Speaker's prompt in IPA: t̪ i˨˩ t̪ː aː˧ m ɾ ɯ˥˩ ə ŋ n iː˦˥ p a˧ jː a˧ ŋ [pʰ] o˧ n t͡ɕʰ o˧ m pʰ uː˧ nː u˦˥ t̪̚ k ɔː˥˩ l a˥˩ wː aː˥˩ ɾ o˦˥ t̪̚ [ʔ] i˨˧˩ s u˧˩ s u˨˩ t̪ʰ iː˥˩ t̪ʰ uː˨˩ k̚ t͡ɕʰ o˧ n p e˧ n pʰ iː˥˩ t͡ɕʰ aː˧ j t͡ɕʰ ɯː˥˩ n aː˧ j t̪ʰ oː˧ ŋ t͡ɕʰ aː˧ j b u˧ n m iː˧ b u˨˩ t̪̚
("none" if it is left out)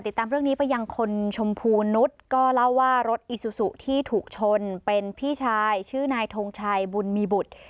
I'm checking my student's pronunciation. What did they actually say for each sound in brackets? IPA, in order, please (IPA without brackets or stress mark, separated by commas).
kʰ, ʔ